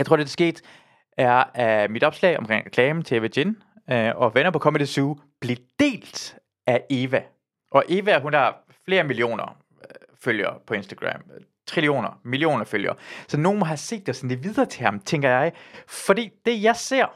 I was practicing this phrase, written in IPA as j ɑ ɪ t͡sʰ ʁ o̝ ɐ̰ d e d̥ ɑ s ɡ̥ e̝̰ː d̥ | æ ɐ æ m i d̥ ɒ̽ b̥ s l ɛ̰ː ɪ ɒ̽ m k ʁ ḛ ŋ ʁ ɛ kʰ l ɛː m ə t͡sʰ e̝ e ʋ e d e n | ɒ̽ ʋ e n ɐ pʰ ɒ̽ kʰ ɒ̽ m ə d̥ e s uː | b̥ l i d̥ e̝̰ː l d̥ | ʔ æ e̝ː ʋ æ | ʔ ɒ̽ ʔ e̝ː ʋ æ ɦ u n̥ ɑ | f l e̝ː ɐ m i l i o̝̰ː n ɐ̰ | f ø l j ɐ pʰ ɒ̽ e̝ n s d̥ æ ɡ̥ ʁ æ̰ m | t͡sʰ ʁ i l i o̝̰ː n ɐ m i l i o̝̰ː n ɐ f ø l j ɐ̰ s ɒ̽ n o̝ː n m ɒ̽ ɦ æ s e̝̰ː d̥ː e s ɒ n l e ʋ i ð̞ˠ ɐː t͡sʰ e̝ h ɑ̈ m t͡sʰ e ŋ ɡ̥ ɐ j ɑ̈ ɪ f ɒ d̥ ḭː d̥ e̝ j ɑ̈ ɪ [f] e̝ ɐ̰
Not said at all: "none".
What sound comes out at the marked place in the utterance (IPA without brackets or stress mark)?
s